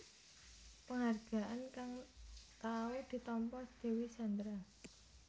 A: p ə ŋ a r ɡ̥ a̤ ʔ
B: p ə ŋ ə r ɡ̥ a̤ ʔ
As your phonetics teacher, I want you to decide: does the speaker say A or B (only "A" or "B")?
A